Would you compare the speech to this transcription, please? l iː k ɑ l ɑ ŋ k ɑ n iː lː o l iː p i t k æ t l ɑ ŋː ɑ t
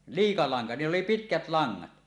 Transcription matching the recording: l iː k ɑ l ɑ ŋ k ɑ n iː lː o l i p i t k æ t l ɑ ŋː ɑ t